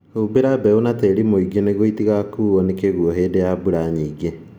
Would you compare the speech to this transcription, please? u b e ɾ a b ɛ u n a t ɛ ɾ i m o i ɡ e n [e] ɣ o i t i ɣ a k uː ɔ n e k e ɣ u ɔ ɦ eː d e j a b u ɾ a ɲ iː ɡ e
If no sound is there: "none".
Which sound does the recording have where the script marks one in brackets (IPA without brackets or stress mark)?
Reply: e